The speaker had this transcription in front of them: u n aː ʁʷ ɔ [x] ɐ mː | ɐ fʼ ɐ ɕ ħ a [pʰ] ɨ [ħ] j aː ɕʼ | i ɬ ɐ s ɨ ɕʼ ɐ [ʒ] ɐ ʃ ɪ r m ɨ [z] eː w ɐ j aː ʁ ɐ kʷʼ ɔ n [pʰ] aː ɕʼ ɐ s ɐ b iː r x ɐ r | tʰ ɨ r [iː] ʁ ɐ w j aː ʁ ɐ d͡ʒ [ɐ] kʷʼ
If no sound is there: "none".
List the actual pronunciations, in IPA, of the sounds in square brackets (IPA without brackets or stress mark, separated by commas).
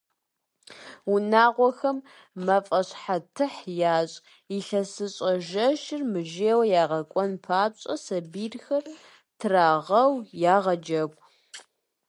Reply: x, tʰ, ħ, ʒ, ʒ, pʰ, aː, ɐ